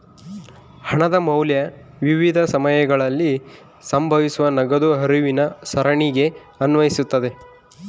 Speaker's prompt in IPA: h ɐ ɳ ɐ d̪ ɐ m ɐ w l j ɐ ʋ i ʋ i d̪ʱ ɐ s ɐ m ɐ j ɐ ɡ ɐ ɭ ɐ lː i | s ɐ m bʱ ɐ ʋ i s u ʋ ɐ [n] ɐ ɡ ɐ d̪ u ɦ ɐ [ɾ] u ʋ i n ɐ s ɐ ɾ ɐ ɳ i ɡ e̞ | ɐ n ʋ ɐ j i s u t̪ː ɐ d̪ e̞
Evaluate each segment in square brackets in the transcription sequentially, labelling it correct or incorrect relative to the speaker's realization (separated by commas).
correct, correct